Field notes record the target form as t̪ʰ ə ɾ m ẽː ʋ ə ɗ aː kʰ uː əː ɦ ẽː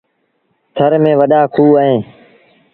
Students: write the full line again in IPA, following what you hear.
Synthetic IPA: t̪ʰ ə ɾ m ẽː ʋ ə ɗ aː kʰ uː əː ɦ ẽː